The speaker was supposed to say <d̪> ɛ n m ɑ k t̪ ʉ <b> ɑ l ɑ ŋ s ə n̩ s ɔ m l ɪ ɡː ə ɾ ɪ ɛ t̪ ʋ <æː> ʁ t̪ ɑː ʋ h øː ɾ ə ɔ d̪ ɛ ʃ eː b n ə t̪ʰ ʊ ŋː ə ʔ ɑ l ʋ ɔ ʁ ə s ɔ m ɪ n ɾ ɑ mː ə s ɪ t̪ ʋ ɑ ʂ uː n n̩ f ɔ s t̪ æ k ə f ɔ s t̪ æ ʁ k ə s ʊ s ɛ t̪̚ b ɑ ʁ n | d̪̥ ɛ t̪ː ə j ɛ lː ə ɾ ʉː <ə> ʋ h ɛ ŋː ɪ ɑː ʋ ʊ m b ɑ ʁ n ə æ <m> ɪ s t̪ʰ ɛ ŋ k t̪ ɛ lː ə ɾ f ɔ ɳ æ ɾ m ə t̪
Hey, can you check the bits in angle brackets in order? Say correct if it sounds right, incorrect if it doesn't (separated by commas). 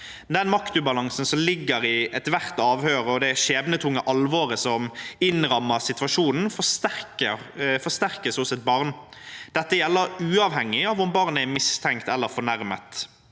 correct, correct, incorrect, incorrect, correct